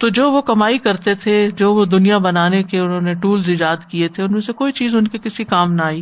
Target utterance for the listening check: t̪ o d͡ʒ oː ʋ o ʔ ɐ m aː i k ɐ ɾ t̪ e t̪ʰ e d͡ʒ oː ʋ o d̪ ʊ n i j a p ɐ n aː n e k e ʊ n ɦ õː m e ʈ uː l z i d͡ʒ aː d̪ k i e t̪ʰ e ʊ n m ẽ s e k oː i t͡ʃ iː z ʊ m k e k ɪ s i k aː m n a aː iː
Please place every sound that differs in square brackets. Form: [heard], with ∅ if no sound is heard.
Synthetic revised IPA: t̪ o d͡ʒ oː ʋ o [k] ɐ m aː i k ɐ ɾ t̪ e t̪ʰ e d͡ʒ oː ʋ o d̪ ʊ n i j a [b] ɐ n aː n e k e ʊ n ɦ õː [n] e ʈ uː l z [ɪ] d͡ʒ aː d̪ k i e t̪ʰ e ʊ n m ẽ s e k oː i t͡ʃ iː z ʊ [n] k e k ɪ s i k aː m n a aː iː